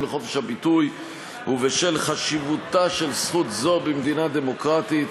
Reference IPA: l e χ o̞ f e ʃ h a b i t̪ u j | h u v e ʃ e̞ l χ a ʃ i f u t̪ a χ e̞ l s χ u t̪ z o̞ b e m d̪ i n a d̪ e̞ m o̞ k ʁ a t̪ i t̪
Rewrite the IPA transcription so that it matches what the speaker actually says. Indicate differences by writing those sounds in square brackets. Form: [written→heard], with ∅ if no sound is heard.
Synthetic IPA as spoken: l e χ o̞ f e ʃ h a b i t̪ u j | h u v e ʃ e̞ l χ a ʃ i [f→v] u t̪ a [χ→ʃ] e̞ l s χ u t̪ z o̞ b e m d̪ i n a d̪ e̞ m o̞ k ʁ a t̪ i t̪

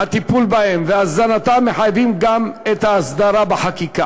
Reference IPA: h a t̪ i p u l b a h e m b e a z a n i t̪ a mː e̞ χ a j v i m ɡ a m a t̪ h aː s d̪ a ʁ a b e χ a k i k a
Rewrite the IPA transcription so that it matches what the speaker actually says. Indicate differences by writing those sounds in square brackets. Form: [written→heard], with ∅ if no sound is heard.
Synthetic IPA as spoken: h a t̪ i p u l b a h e m [b→v] e a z a n [i→a] t̪ a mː e̞ [χ→ħ] a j v i m ɡ a m [a→e] t̪ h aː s d̪ a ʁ a b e [χ→ħ] a k i k a

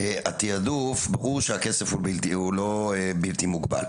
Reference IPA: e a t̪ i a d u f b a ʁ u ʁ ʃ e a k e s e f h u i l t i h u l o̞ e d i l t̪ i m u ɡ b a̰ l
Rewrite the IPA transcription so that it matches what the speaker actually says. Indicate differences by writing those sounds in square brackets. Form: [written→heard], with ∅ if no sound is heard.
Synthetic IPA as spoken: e a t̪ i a d u f b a ʁ u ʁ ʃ e a k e s e f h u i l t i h u l o̞ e [d→b] i l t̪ i m u ɡ b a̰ l

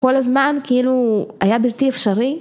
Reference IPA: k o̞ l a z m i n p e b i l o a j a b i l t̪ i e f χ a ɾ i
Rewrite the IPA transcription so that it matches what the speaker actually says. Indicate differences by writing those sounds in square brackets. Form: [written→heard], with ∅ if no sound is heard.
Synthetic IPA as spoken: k o̞ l a z m [i→a] n [p→k] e [b→∅] i l [o→u] a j a b i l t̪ i e f [χ→ʃ] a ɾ i

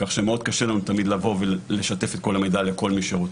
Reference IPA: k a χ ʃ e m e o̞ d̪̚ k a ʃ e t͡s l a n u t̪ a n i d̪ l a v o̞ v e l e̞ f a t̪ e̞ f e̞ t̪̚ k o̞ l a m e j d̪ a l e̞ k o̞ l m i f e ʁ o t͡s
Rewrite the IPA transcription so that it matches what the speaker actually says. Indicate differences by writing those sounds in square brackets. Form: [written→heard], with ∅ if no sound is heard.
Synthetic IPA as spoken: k a χ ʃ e m e o̞ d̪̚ k a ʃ e [t͡s→∅] l a n u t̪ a [n→m] i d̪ l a v o̞ v e l e̞ [f→ʃ] a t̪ e̞ f e̞ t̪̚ k o̞ l a m e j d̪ a l e̞ k o̞ l m i [f→ʃ] e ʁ o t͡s

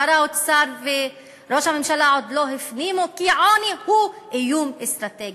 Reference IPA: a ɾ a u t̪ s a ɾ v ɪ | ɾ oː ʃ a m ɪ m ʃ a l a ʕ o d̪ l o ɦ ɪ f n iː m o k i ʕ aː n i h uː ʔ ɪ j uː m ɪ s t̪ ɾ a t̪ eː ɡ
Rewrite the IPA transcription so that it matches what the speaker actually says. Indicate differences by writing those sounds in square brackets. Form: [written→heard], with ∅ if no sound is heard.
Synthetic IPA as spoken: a ɾ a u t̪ s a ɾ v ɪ | ɾ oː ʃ a m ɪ m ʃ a l a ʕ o d̪ l o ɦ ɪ f n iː m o k i ʕ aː n i h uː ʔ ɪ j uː m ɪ s t̪ ɾ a t̪ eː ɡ

